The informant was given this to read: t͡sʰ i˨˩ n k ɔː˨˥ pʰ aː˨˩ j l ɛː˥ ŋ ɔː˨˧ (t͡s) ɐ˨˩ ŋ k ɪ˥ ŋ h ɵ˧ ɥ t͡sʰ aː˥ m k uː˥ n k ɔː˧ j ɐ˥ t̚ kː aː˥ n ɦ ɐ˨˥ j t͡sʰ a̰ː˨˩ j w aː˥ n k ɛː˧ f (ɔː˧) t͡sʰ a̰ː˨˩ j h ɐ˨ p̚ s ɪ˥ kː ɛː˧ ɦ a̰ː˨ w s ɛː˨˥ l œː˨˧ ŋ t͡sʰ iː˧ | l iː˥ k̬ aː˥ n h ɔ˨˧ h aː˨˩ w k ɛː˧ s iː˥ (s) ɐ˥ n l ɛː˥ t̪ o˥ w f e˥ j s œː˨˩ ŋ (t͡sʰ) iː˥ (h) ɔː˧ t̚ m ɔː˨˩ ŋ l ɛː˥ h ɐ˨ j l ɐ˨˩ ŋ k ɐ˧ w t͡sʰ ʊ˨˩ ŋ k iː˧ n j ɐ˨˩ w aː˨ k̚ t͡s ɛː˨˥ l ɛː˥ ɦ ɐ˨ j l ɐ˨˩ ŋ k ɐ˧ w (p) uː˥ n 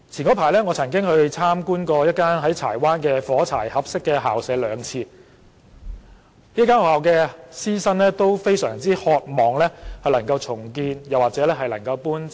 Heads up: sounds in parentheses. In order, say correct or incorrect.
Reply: incorrect: t͡sʰ, incorrect: ɔː˨˥, correct, incorrect: t͡s, correct, correct

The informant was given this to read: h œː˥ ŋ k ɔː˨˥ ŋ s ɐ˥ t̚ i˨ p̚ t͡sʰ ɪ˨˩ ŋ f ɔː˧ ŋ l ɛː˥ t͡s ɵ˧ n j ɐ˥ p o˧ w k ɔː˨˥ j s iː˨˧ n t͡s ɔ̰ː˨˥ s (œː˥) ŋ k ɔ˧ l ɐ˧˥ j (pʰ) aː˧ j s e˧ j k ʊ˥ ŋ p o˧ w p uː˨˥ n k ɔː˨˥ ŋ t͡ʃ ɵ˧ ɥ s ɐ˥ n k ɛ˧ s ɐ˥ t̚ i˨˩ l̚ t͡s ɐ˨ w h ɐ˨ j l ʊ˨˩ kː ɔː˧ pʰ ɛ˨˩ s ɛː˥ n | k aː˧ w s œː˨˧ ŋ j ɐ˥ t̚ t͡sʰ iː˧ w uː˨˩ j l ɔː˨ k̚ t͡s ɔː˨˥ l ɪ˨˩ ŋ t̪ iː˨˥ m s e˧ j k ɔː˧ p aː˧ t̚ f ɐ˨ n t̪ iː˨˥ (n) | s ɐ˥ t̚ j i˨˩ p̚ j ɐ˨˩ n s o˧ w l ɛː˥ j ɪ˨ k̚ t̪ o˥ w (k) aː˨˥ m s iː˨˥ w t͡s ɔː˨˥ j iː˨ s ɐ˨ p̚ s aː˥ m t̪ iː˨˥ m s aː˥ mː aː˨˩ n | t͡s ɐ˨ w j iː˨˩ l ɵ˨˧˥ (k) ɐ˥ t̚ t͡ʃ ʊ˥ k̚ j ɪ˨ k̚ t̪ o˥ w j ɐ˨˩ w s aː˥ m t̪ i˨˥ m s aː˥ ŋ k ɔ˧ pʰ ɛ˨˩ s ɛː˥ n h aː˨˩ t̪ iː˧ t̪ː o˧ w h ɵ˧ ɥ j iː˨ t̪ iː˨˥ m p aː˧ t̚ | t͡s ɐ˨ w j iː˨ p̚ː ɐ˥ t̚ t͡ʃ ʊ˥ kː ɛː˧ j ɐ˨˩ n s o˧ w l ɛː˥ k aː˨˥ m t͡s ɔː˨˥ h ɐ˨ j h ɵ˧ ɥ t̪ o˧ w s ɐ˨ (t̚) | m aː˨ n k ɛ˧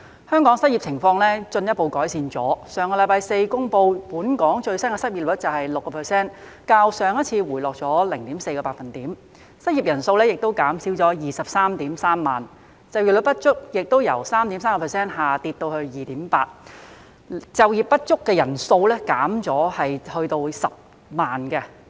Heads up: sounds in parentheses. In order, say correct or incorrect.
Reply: incorrect: œː˨˧, incorrect: p, incorrect: m, correct, incorrect: p, incorrect: p̚

